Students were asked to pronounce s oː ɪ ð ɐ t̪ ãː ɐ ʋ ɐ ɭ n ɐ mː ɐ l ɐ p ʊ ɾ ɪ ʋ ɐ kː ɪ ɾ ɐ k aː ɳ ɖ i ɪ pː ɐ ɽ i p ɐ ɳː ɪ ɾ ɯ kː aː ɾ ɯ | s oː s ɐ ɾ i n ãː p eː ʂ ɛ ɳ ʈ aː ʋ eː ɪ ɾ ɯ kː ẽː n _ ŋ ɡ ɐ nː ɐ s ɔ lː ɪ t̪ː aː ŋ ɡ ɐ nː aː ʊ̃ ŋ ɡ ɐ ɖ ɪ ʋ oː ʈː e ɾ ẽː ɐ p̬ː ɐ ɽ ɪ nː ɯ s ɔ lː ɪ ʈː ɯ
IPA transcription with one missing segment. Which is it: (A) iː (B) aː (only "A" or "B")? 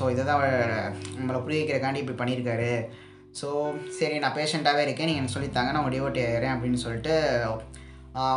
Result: A